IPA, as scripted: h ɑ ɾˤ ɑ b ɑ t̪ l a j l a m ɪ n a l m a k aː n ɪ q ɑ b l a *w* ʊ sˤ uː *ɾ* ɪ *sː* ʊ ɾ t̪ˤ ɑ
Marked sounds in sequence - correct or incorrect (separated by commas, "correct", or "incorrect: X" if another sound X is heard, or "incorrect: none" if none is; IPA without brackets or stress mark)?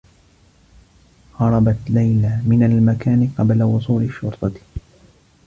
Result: correct, incorrect: l, incorrect: ʃː